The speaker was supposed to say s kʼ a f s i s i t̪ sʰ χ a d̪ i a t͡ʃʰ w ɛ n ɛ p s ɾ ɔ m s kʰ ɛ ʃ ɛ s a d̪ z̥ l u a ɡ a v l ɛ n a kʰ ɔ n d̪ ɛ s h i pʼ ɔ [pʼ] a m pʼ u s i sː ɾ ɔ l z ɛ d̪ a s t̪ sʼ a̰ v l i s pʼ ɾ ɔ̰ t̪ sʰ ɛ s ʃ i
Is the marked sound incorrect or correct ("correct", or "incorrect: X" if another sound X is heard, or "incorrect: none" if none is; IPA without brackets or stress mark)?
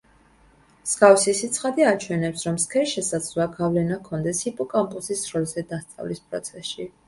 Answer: incorrect: kʼ